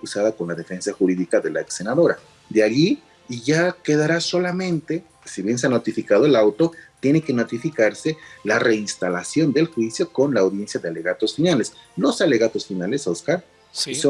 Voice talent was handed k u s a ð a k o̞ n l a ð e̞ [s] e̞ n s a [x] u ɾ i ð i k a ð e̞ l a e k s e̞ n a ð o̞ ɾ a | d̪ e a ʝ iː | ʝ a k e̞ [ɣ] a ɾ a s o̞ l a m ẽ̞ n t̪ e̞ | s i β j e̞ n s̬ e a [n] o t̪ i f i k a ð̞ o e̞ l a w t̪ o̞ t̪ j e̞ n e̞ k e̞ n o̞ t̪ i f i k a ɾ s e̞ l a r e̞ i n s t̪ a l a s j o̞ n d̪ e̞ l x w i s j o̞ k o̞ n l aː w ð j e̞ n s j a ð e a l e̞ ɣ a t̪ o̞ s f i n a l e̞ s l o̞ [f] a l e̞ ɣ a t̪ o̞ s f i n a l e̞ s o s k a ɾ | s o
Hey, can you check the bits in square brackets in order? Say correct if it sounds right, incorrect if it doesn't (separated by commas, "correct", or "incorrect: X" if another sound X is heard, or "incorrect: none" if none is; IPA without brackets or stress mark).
incorrect: f, correct, incorrect: ð, correct, incorrect: s